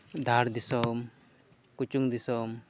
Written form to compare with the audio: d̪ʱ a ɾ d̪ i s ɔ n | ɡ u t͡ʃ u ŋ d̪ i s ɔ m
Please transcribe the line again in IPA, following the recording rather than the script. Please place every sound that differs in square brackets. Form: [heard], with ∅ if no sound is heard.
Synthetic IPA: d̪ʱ a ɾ d̪ i s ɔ [m] | [k] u t͡ʃ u ŋ d̪ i s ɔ m